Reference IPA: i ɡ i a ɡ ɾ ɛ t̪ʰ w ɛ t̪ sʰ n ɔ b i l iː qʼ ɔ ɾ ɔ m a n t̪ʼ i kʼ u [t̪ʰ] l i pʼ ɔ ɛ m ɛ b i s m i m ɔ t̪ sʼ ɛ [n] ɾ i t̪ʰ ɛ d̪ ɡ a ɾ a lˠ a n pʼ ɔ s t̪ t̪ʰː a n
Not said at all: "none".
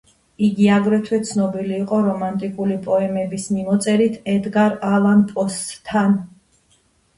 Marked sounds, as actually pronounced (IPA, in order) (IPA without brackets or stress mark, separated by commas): none, none